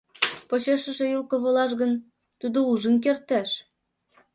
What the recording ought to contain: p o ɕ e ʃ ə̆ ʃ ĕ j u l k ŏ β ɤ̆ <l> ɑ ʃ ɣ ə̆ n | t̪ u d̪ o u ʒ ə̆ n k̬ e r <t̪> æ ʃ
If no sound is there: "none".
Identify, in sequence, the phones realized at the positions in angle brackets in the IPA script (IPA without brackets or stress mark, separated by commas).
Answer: l, t̪